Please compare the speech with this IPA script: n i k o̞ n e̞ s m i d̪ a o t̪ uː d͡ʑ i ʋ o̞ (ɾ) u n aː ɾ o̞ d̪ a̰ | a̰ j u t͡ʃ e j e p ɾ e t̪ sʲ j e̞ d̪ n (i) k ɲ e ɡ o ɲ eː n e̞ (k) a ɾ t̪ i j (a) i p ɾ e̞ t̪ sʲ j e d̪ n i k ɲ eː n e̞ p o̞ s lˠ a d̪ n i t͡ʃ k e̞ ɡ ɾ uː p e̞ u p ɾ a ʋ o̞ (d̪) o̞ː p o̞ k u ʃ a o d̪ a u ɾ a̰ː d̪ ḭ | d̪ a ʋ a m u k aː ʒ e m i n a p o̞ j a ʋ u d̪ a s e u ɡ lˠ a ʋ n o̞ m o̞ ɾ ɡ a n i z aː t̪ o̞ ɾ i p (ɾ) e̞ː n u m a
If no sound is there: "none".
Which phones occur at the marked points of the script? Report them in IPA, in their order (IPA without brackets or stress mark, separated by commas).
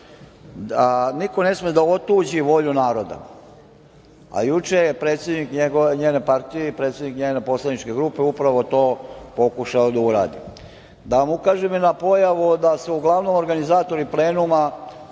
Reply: ʎ, i, p, e, t̪, l